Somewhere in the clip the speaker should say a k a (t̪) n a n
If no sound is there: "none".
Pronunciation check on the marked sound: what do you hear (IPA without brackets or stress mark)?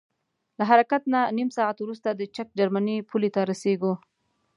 t̪